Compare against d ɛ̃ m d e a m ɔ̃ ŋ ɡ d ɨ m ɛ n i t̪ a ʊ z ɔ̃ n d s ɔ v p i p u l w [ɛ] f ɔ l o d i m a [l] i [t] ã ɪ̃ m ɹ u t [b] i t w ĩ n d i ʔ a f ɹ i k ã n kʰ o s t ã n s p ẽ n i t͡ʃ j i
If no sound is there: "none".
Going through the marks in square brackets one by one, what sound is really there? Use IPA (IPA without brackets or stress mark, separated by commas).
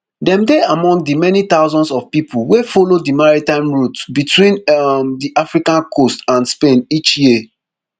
e, ɹ, t, b